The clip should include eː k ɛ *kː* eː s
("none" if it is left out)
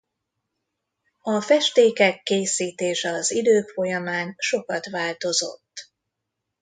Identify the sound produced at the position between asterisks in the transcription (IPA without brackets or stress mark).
kː